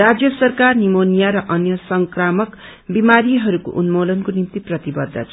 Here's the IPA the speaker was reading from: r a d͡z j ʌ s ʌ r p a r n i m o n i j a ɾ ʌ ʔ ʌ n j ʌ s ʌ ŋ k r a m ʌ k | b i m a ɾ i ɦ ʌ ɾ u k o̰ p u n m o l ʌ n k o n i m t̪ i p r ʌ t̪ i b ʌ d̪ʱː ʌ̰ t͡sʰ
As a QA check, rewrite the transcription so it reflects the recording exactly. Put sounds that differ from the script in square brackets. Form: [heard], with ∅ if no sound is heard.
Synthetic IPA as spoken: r a d͡z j ʌ s ʌ r [k] a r n i m o n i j a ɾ ʌ ʔ ʌ n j ʌ s ʌ ŋ k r a m ʌ k | b i m a ɾ i ɦ ʌ ɾ u k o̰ [ʔ] u n m o l ʌ n k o n i m t̪ i p r ʌ t̪ i b ʌ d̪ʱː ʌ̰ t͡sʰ